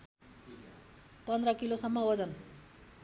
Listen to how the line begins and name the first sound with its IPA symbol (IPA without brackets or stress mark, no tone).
p